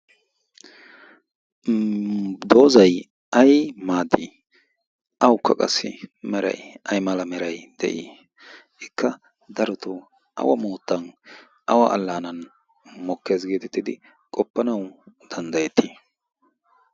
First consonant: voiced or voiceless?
voiced